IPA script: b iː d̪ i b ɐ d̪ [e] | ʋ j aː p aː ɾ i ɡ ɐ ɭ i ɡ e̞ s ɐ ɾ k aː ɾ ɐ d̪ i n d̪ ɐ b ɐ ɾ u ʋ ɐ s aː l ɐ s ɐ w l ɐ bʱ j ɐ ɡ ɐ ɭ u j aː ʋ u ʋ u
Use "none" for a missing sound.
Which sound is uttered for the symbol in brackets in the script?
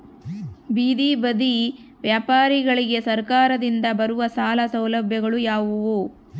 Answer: i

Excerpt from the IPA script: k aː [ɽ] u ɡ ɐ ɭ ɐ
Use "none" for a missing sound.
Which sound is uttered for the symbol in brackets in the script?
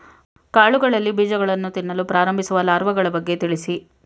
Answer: ɭ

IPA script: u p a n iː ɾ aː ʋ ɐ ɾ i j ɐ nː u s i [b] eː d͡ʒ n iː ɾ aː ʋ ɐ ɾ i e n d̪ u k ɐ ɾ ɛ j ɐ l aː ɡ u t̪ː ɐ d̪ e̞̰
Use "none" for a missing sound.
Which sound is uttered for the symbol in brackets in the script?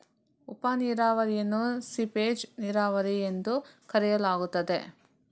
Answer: p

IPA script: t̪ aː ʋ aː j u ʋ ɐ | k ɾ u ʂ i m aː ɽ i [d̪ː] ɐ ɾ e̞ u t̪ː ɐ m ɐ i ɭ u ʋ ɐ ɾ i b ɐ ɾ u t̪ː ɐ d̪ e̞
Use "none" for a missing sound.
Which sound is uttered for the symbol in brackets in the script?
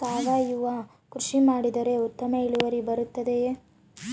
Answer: d̪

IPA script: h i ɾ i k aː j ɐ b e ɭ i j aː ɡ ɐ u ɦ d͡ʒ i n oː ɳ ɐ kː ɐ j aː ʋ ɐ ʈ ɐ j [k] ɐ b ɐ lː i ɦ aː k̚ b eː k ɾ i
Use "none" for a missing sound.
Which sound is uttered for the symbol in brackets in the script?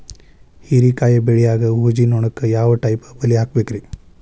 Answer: p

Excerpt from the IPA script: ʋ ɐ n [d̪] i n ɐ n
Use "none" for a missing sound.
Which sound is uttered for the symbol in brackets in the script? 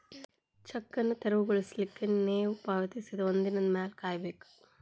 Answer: d̪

